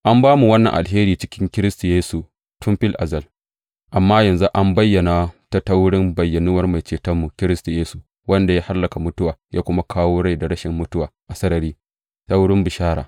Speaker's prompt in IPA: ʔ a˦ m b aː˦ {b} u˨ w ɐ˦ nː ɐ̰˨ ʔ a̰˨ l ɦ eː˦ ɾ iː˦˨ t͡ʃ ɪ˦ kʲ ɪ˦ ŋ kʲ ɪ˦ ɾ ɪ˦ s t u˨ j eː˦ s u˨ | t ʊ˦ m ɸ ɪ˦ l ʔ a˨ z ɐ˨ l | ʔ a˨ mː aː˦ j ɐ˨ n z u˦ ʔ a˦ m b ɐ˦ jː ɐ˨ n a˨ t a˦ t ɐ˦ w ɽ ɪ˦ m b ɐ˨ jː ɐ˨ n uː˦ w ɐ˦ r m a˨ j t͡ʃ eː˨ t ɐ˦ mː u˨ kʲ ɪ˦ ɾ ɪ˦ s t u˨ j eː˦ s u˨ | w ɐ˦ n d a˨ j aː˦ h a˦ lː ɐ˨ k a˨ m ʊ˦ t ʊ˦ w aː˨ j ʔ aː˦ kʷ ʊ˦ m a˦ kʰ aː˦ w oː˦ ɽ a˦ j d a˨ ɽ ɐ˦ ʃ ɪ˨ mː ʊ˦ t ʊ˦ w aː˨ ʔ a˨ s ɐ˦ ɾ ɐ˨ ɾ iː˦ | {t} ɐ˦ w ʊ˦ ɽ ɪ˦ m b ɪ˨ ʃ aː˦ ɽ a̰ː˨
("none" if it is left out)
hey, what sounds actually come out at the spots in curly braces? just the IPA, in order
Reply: m, t

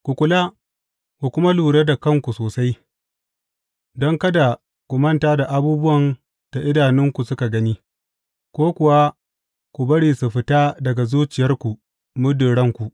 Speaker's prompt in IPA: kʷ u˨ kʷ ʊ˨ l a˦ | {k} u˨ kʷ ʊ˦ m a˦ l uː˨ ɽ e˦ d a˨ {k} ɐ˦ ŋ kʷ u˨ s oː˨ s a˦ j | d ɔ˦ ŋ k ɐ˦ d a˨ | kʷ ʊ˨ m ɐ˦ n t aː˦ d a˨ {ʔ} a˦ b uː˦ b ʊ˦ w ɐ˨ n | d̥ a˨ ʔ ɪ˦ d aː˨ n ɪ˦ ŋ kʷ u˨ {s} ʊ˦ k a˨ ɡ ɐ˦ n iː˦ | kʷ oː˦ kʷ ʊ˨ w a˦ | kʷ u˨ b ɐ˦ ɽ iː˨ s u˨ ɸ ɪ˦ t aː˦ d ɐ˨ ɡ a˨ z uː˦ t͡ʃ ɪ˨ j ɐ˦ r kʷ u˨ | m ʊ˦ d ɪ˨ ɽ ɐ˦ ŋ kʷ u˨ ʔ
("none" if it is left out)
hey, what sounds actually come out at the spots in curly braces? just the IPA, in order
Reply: k, k, ʔ, s

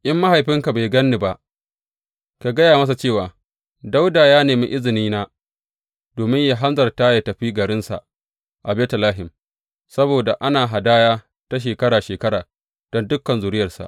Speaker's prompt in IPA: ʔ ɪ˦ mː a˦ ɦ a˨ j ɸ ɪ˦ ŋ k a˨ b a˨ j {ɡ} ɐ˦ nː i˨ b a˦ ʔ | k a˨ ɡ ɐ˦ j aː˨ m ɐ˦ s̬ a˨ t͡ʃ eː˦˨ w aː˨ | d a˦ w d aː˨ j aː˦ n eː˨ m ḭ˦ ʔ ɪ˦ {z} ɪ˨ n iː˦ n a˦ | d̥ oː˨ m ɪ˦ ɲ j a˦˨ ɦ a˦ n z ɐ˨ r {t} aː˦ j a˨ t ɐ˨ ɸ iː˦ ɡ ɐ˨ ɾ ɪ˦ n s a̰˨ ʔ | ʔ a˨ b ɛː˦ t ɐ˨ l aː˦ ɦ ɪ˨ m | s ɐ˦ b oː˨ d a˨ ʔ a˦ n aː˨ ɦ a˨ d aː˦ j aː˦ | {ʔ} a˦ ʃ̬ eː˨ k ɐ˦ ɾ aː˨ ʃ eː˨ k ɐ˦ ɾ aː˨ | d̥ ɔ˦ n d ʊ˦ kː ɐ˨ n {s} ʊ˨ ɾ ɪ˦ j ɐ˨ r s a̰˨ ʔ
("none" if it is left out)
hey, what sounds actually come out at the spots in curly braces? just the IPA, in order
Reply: ɡ, z, t, t, z

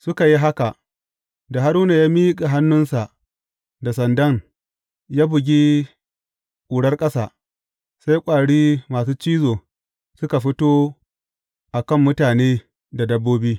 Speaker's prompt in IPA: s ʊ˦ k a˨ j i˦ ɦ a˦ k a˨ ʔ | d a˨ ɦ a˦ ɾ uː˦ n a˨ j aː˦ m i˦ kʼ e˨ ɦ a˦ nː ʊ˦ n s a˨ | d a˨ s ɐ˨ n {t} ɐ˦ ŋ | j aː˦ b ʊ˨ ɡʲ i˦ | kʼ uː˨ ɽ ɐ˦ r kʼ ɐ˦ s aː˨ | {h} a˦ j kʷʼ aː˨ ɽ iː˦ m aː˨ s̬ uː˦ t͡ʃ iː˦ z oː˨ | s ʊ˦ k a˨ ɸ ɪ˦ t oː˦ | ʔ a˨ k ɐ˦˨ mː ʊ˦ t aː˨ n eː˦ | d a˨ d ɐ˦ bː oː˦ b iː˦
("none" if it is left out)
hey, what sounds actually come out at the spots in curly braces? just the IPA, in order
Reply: d, s

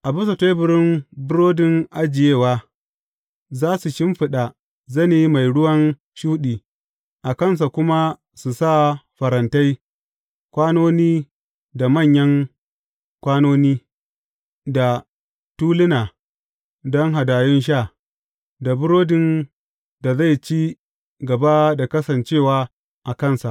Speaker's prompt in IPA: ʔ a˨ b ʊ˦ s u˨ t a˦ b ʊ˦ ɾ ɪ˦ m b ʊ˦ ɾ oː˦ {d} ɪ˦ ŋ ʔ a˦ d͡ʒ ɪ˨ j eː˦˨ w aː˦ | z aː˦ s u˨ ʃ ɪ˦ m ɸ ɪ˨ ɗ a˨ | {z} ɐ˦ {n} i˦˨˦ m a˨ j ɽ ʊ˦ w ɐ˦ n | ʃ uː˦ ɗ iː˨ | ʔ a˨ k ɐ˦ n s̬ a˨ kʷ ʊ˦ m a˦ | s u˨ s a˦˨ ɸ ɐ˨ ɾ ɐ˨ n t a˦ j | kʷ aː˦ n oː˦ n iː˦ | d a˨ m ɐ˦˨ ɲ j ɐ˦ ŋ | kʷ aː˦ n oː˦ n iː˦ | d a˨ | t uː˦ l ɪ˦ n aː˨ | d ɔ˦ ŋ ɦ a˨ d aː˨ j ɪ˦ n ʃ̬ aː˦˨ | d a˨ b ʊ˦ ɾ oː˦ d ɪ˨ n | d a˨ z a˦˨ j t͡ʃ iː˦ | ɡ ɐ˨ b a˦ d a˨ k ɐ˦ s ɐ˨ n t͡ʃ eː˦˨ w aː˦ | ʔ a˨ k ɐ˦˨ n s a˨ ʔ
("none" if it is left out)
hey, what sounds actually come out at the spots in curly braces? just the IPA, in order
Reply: d, z, n

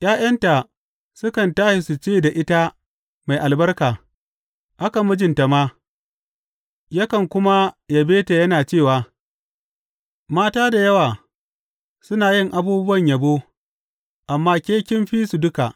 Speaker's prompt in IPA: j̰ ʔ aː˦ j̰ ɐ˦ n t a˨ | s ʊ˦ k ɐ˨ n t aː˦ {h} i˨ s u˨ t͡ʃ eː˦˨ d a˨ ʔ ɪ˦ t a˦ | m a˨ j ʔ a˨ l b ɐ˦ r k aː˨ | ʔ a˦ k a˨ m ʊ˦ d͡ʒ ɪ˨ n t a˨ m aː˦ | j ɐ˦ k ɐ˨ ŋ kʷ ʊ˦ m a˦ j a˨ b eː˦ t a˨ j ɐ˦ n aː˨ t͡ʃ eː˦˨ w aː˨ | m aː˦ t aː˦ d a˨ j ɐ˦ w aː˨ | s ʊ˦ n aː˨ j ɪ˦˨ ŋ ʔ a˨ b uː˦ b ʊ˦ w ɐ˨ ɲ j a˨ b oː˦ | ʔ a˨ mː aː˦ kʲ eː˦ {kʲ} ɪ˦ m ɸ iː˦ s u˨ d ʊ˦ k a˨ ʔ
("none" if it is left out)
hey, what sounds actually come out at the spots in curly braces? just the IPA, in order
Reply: ʃ, kʲ

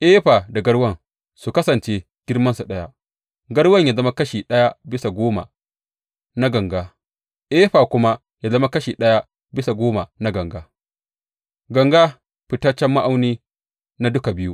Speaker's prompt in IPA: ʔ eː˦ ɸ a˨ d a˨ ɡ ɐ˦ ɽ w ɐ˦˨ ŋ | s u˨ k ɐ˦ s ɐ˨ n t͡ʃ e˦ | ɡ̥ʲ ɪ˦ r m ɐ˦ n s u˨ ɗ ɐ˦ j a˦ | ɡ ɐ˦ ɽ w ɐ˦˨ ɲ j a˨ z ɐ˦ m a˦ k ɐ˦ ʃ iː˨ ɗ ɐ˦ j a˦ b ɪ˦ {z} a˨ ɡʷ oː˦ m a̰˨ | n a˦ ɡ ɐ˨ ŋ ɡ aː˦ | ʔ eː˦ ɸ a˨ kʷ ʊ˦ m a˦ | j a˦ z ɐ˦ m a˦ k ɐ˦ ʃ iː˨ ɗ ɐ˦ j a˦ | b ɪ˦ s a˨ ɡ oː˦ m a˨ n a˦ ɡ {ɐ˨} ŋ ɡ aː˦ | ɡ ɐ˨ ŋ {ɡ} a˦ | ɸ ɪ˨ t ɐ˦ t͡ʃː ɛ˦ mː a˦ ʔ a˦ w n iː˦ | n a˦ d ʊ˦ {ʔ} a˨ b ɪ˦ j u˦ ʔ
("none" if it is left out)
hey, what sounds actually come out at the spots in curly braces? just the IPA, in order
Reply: s, ɐ˨, ɡ, k

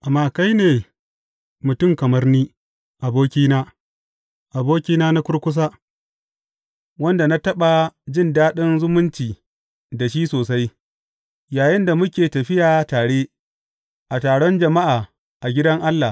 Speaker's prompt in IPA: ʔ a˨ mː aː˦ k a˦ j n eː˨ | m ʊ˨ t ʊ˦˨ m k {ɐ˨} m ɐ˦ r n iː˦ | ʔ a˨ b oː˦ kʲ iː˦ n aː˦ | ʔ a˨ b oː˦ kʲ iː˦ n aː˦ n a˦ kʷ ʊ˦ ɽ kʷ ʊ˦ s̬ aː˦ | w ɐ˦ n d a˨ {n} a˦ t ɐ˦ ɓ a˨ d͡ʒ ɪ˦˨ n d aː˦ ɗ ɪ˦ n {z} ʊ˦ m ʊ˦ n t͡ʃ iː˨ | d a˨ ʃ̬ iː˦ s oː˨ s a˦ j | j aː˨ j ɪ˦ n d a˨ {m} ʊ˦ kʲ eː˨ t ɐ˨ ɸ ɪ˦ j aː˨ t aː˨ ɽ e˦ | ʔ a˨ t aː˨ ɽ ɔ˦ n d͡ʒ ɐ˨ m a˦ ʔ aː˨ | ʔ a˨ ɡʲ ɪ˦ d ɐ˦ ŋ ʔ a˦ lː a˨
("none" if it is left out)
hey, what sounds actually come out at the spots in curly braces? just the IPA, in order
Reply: ɐ˨, n, z, m

